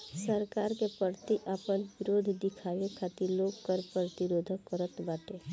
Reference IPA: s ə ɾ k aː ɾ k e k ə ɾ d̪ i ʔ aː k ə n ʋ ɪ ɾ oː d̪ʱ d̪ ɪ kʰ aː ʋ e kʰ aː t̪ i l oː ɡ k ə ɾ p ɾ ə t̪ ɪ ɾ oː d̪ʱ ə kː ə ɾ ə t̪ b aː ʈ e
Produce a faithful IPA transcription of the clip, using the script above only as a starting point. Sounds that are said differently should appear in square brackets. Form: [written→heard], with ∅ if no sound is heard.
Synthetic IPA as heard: s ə ɾ k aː ɾ k e [k→p] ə ɾ [d̪→t̪] i ʔ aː [k→p] ə n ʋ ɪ ɾ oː d̪ʱ d̪ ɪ kʰ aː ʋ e kʰ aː t̪ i l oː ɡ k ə ɾ p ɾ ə t̪ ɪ ɾ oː d̪ʱ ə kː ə ɾ ə t̪ b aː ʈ e